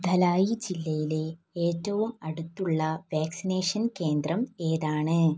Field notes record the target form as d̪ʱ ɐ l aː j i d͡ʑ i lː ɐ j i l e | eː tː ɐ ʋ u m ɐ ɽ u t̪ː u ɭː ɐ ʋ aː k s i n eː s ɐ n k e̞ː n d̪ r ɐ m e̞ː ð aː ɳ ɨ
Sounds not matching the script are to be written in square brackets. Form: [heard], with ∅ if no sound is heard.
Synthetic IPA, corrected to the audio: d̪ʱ ɐ l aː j i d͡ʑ i lː ɐ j i l e | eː tː ɐ ʋ u m ɐ ɽ u t̪ː u ɭː ɐ ʋ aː k s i n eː [ʂ] ɐ n k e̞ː n d̪ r ɐ m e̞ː ð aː ɳ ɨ